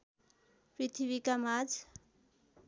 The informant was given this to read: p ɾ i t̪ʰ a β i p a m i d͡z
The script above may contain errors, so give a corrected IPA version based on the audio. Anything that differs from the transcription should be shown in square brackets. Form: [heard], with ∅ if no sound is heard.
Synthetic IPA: p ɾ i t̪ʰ [i] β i [k] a m [a] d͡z